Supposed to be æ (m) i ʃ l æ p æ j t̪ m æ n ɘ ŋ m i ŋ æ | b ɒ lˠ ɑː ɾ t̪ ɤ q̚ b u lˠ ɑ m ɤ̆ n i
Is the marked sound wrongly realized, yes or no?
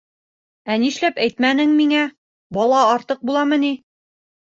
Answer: yes